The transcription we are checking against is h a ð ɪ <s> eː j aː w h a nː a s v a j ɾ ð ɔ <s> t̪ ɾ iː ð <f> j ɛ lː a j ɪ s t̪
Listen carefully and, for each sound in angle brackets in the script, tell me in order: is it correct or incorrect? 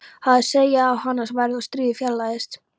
correct, correct, correct

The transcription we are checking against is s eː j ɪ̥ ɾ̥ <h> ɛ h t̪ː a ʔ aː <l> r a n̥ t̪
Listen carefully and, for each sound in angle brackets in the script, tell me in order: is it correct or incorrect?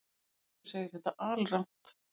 incorrect, correct

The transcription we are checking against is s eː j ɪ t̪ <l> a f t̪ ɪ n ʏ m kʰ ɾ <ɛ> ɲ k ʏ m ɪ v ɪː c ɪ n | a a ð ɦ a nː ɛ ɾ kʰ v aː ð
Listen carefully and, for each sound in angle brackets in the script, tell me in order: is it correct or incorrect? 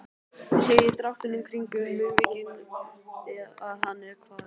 incorrect, incorrect

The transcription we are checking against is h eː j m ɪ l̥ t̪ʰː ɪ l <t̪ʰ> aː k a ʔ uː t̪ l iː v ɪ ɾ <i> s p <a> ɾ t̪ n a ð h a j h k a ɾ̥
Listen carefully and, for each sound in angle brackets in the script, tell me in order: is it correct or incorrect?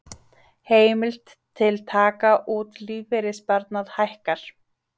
correct, incorrect, correct

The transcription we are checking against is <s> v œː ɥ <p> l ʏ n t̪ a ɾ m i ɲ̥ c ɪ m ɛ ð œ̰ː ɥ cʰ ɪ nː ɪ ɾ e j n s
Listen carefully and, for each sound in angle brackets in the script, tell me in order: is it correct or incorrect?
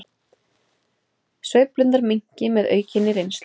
correct, correct

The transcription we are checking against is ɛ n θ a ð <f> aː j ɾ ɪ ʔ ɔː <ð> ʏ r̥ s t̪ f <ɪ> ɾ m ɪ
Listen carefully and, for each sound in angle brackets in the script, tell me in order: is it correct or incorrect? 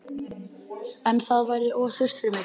incorrect, incorrect, correct

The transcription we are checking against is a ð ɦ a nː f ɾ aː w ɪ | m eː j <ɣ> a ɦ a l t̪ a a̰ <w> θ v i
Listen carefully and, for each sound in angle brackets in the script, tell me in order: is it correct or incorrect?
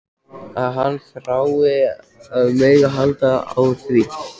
correct, correct

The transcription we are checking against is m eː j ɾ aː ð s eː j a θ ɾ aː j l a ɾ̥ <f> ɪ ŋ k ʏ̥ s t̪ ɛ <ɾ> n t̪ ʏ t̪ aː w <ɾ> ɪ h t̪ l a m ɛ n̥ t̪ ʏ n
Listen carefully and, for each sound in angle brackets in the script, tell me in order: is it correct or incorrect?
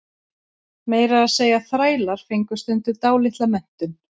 correct, incorrect, incorrect

